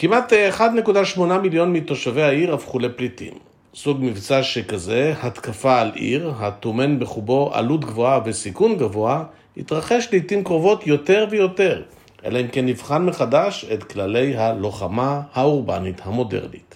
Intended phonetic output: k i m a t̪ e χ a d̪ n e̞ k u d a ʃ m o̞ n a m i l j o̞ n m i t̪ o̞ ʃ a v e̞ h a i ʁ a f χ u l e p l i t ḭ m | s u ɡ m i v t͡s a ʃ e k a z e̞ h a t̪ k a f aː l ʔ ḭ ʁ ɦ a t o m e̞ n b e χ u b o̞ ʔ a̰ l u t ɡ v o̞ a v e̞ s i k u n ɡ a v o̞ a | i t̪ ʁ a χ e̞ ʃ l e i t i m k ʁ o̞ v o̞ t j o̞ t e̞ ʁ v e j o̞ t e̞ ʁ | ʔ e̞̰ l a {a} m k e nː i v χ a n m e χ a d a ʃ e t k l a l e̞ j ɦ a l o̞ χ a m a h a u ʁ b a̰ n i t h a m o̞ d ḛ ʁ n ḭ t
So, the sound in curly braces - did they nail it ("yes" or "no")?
no